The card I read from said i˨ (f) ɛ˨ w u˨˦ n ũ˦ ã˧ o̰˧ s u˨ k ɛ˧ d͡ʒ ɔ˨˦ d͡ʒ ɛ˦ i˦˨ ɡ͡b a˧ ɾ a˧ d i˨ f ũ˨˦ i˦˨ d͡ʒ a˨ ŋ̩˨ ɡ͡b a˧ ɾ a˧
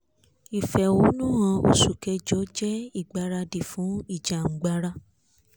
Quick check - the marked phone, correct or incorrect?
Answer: correct